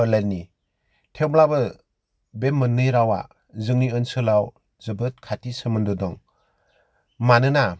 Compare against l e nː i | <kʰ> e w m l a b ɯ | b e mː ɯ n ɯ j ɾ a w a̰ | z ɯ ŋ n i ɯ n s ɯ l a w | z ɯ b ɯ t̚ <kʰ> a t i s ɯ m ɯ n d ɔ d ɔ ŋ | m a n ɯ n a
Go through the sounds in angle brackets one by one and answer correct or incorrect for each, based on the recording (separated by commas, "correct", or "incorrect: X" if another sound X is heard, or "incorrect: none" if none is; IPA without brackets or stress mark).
incorrect: tʰ, correct